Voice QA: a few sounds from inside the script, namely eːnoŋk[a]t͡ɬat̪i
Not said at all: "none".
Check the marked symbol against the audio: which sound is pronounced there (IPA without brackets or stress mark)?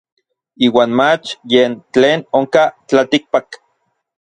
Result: a